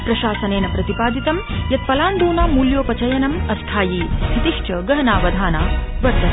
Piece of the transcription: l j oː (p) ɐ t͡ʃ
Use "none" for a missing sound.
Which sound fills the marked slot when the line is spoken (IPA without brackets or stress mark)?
p